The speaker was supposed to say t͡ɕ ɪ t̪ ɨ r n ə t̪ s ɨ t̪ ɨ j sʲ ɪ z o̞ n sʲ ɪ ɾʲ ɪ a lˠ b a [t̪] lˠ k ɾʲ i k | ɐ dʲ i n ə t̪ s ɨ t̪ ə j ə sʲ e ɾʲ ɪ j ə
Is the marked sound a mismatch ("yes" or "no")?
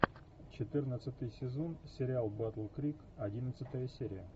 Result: no